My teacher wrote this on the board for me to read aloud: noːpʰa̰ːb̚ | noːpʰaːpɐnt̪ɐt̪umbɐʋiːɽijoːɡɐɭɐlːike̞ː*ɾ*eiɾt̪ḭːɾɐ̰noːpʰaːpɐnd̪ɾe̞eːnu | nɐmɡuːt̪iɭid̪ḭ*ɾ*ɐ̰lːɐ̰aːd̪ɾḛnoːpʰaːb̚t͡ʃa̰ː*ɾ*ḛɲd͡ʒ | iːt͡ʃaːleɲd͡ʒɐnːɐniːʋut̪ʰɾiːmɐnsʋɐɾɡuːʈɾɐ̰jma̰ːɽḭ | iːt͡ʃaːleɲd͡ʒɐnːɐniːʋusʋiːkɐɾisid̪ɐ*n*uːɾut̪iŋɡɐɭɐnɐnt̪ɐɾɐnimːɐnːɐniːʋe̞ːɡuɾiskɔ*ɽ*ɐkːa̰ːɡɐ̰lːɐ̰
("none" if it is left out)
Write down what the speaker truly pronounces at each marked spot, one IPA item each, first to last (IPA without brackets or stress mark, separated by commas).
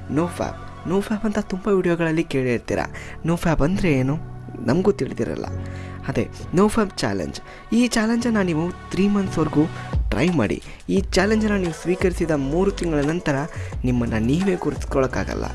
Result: ɭ, ɾ, l, m, ɭ